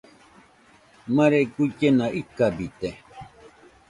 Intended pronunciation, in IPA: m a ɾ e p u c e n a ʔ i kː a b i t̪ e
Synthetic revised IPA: m a ɾ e k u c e n a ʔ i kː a b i t̪ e